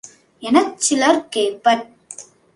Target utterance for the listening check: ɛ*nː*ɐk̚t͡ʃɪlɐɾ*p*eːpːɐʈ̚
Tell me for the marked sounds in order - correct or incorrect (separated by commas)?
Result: incorrect, incorrect